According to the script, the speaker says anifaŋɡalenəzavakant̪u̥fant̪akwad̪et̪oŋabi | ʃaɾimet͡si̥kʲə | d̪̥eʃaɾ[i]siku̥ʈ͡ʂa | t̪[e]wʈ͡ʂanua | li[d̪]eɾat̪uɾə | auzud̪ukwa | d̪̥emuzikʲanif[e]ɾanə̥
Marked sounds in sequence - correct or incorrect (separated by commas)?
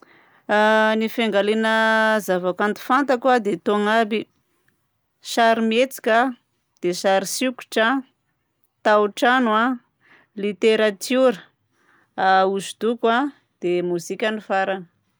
correct, incorrect, incorrect, incorrect